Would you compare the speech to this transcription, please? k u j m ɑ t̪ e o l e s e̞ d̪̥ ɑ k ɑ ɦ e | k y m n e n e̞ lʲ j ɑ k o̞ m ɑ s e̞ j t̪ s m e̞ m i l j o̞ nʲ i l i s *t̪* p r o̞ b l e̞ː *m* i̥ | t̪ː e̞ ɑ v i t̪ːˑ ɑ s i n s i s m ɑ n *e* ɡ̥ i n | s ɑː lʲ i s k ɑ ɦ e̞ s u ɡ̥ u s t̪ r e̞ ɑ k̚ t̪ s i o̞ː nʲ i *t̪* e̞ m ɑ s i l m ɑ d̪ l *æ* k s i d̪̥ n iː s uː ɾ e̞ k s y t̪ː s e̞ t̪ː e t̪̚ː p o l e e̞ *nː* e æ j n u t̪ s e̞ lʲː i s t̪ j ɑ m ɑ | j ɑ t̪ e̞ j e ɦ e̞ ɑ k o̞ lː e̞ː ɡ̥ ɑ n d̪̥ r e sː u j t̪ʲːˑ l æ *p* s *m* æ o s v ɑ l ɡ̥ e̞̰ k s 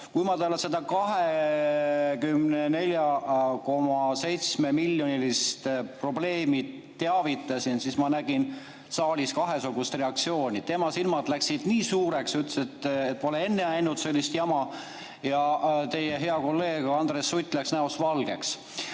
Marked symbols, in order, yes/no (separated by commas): yes, yes, no, yes, yes, yes, no, no